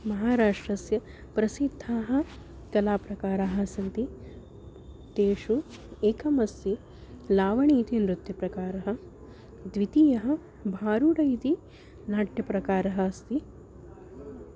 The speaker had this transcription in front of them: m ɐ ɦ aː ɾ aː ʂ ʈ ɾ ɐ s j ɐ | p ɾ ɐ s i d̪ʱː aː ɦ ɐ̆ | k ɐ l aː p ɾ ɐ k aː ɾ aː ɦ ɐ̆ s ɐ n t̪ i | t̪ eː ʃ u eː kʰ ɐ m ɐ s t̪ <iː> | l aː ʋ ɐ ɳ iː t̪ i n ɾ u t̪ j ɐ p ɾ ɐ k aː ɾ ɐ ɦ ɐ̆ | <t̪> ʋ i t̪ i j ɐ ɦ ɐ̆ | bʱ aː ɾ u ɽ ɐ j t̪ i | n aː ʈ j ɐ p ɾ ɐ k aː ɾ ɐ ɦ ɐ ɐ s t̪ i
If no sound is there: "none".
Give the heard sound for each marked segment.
i, d̪

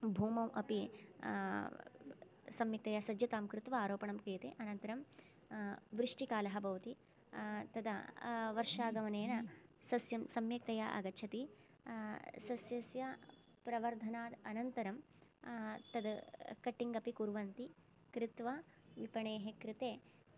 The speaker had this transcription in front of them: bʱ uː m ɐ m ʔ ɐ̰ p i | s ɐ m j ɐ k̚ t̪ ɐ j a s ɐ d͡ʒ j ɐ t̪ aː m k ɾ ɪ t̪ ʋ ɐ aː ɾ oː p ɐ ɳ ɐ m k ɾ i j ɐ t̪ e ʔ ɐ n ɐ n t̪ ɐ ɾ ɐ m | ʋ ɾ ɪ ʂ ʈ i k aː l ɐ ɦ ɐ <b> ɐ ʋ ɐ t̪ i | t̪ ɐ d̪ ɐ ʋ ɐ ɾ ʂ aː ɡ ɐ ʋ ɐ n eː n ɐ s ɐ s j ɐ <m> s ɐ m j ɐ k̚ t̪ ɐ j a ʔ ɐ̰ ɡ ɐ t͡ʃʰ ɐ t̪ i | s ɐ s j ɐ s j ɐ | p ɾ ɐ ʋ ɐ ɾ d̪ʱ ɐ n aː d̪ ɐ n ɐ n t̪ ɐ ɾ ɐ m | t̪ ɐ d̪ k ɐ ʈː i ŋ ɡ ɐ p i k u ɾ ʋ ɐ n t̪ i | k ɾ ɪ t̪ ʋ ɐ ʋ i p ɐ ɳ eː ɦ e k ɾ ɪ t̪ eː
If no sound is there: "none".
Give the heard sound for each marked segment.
b, m

